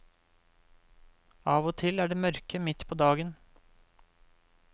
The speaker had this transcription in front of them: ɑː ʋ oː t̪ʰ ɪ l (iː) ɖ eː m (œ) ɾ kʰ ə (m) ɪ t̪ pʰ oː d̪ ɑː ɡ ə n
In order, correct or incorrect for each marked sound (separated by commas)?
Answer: incorrect, correct, correct